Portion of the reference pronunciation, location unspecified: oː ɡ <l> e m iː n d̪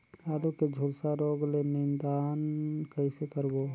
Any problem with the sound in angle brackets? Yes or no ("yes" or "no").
no